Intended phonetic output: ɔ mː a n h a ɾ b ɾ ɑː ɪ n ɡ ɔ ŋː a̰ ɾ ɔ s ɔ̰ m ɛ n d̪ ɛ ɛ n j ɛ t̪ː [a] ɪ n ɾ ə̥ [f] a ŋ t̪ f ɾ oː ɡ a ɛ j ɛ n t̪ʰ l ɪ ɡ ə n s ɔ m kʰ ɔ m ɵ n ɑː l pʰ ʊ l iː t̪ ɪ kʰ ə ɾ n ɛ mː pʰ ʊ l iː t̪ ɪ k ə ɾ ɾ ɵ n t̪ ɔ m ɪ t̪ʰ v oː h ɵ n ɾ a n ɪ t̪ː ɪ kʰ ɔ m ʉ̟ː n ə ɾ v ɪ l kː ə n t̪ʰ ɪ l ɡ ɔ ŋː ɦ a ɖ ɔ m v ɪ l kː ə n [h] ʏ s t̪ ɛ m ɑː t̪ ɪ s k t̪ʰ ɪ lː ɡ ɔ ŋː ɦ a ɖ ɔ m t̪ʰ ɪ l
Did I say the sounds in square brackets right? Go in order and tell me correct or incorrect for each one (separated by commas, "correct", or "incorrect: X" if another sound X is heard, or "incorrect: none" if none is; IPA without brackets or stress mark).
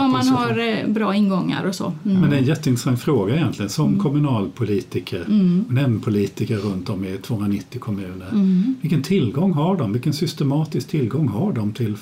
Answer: incorrect: ə, incorrect: s, incorrect: s